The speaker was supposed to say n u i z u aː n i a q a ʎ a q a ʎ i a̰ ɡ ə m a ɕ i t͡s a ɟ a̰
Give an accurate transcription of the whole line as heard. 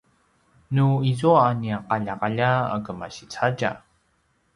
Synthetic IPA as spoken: n u i z u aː n i a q a ʎ a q a ʎ a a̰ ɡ ə m a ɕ i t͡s a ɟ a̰

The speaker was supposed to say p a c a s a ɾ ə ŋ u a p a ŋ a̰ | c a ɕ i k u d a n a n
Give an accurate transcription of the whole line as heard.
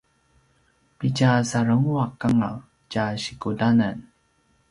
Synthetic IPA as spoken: p i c a s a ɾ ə ŋ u a k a ŋ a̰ | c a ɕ i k u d a n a n

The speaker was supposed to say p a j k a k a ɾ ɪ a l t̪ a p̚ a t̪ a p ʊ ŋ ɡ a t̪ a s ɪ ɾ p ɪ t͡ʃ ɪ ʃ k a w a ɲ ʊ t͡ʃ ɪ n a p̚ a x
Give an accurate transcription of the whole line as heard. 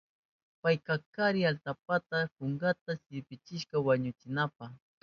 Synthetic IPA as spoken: p a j k a k a ɾ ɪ a l t̪ a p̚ a t̪ a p ʊ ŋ ɡ a t̪ a s ɪ ɾ p ɪ t͡ʃ ɪ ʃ k a w a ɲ ʊ t͡ʃ ɪ n a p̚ a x

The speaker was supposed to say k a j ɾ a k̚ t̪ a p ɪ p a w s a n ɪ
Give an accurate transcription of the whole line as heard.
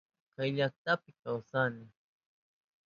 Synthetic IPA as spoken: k a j ʎ a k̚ t̪ a p ɪ k a w s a n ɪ

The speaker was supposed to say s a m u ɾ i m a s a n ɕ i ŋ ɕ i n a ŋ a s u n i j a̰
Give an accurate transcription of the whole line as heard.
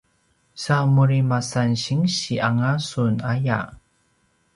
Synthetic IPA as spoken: s a m u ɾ i m a s a n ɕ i ŋ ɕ i a ŋ a s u n a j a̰

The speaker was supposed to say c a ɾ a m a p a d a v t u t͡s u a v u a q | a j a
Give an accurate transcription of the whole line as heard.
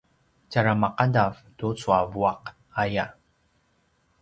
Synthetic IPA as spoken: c a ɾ a m a q a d a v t u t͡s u a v u a q | a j a

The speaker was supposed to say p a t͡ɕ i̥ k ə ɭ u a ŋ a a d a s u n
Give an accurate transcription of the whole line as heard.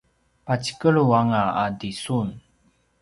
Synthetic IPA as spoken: p a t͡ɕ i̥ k ə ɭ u a ŋ a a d i s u n

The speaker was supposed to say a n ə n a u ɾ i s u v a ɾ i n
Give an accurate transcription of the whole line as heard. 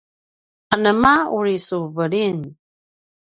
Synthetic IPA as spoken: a n ə m a u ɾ i s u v ə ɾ i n

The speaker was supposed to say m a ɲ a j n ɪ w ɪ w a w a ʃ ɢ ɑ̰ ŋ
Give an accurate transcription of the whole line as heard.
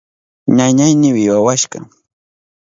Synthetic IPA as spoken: ɲ a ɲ a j n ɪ w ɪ w a w a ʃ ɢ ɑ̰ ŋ

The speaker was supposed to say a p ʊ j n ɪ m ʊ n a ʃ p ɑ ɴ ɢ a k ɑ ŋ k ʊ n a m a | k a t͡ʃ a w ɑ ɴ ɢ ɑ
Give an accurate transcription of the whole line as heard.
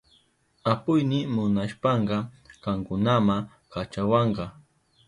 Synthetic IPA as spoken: a p ʊ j n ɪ m ʊ n a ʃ p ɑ ɴ ɢ ɑ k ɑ ŋ k ʊ n a m a | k a t͡ʃ a w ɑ ɴ ɢ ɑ

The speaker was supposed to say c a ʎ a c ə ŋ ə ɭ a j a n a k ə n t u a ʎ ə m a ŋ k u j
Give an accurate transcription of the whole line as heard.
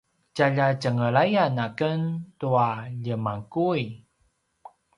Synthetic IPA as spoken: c a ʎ a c ə ŋ ə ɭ a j a n a k ə n t u a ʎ ə m a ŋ k u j

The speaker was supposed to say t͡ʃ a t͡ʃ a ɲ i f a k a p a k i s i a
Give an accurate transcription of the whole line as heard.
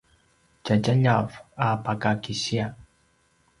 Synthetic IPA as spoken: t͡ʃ a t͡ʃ a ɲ a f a p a k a k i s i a

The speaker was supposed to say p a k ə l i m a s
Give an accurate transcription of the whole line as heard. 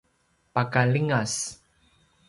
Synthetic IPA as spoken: p a k a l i ŋ a s

